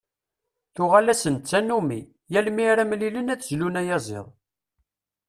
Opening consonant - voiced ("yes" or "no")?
no